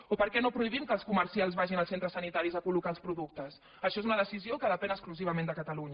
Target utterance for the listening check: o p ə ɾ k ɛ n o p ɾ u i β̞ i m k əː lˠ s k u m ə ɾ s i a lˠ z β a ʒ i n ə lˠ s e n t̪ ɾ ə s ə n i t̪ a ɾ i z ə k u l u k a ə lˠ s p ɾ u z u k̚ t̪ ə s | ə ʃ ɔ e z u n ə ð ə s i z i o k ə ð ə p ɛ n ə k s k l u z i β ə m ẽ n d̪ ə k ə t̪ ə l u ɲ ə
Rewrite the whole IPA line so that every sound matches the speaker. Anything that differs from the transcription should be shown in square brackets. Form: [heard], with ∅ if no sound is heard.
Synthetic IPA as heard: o p ə ɾ k ɛ n o p ɾ u i β̞ i m k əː lˠ s k u m ə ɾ s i a lˠ z β a ʒ i n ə lˠ s e n t̪ ɾ ə s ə n i t̪ a ɾ i z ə k u l u k a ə lˠ s p ɾ u [ð] u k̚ t̪ ə s | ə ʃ ɔ e z u n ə ð ə s i z i o k ə ð ə p ɛ n ə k s k l u z i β ə m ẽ n d̪ ə k ə t̪ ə l u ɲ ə